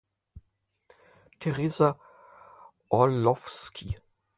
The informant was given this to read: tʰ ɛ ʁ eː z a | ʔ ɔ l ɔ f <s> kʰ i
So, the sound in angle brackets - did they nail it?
yes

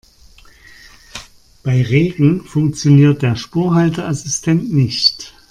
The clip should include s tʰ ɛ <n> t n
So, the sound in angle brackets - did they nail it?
yes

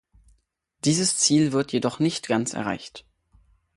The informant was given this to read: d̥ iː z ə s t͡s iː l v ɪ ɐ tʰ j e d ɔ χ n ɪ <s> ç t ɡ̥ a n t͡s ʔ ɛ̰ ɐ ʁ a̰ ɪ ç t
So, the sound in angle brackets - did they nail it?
no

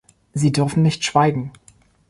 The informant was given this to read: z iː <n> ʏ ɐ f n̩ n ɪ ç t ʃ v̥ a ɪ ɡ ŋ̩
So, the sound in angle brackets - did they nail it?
no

